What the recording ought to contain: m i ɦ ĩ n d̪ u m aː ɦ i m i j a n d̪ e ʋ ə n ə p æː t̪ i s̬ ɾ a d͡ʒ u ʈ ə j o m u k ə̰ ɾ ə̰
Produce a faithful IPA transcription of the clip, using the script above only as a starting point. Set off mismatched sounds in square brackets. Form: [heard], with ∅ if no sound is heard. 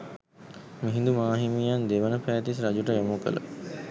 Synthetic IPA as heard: m i ɦ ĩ n d̪ u m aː ɦ i m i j a n d̪ e ʋ ə n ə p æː t̪ i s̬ ɾ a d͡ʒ u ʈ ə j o m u k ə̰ [l] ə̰